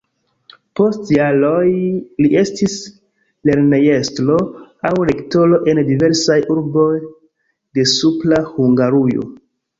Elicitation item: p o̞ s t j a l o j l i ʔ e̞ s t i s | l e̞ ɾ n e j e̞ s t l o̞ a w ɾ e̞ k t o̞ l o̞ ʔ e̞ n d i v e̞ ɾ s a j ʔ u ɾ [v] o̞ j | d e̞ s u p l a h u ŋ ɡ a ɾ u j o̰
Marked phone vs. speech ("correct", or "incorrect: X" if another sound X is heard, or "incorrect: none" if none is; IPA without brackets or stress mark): incorrect: b